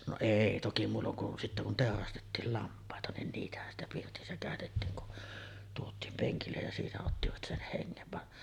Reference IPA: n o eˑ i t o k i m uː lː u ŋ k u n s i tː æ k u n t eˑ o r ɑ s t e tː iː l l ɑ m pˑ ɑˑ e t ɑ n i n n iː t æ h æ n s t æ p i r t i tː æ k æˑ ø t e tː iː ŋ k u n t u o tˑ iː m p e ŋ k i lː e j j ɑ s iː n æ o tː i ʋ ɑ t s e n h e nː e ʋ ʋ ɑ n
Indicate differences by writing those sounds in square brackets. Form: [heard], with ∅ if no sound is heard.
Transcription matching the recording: n o eˑ i t o k i m uː lː [o] ŋ k u n s i tː æ k u n t eˑ o r ɑ s t e tː iː l l ɑ m pˑ ɑˑ e t ɑ n i n n iː t æ h æ n s t æ p i r t i [sː] æ k æˑ ø t e tː iː ŋ k u n t u o tˑ iː m p e ŋ k i lː e j j ɑ s iː n æ o tː i ʋ ɑ t s e n h e [ŋː] e ʋ ʋ ɑ n